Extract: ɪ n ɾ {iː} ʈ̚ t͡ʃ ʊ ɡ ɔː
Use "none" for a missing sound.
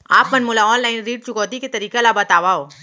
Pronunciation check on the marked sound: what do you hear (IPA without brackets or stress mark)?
iː